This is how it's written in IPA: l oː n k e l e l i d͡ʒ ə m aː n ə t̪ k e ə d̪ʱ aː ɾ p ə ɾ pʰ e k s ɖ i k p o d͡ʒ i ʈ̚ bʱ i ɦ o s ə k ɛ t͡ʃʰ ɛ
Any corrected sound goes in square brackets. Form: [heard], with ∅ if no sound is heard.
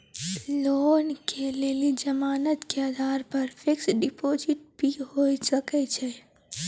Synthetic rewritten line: l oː n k e l e l i d͡ʒ ə m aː n ə t̪ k e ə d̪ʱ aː ɾ p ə ɾ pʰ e k s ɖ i [∅] p o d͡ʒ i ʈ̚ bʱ i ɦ o s ə k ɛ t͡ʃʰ ɛ